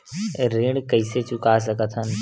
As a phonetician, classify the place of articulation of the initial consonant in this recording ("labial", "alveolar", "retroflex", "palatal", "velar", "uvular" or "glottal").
alveolar